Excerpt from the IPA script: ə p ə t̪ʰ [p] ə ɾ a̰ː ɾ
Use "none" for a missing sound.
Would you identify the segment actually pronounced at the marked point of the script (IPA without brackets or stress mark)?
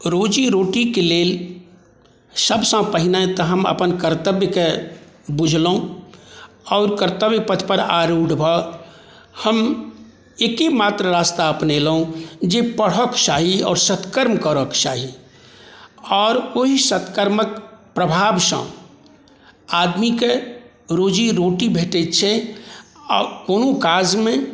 p